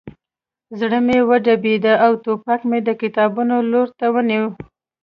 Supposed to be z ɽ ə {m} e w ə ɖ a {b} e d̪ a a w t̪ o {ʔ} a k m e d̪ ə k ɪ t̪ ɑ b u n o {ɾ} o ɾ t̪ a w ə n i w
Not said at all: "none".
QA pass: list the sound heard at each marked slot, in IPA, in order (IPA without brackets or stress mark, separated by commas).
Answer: m, b, p, l